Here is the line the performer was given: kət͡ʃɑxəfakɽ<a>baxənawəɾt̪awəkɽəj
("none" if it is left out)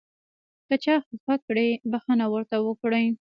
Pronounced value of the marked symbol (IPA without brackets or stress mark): e